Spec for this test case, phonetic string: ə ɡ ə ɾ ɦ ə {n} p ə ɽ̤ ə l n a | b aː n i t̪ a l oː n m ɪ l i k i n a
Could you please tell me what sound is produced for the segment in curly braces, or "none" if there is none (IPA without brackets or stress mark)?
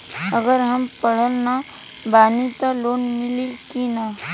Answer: m